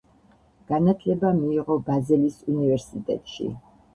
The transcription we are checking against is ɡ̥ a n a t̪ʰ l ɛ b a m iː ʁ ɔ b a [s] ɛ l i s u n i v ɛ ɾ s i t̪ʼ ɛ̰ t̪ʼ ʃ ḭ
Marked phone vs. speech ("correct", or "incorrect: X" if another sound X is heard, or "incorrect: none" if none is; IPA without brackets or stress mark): incorrect: z